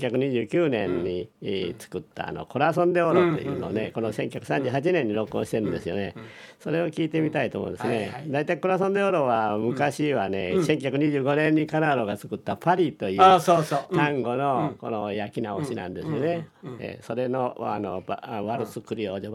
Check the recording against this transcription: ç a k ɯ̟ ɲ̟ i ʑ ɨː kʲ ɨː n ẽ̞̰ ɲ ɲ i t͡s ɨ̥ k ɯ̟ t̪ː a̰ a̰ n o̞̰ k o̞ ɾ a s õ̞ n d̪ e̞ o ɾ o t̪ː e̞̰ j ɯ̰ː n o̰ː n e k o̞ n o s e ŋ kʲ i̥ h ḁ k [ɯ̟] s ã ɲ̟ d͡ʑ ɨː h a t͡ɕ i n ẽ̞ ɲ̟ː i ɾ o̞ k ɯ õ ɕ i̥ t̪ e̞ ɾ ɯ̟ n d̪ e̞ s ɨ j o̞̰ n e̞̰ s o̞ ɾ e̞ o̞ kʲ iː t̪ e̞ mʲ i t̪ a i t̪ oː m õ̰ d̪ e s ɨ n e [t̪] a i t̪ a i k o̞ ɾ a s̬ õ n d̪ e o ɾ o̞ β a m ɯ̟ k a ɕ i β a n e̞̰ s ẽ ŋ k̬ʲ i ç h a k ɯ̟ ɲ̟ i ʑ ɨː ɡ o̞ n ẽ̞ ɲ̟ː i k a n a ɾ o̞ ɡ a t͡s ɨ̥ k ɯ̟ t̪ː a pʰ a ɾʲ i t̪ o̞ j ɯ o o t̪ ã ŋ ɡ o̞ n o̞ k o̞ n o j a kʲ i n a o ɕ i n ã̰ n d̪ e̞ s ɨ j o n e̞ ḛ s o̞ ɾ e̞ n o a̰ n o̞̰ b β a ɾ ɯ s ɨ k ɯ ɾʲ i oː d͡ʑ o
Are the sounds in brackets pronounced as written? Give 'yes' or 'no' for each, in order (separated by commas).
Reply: yes, no